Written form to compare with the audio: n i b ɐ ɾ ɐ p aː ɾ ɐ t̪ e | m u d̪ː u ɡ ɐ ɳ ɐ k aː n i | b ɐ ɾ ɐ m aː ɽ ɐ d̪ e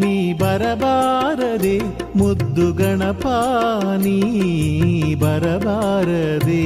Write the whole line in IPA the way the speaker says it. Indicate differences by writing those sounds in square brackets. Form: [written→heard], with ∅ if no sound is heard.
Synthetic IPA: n i b ɐ ɾ ɐ [p→b] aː ɾ ɐ [t̪→d̪] e | m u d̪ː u ɡ ɐ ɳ ɐ [k→p] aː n i | b ɐ ɾ ɐ [m→b] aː [ɽ→ɾ] ɐ d̪ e